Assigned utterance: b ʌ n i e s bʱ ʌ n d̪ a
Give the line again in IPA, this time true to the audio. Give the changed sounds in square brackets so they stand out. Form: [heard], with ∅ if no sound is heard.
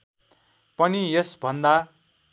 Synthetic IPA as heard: [p] ʌ n i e s bʱ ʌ n d̪ a